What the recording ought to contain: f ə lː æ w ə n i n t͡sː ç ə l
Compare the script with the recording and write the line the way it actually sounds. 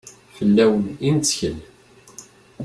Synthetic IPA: f ə lː æ w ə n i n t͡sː ç ə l